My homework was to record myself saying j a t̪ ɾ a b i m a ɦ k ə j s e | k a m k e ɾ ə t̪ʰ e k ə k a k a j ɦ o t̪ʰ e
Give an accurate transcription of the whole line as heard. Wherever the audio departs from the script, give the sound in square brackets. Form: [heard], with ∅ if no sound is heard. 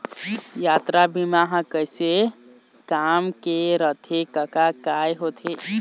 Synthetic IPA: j a t̪ ɾ a b i m a ɦ k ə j s e | k a m k e ɾ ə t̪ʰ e k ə k a k a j ɦ o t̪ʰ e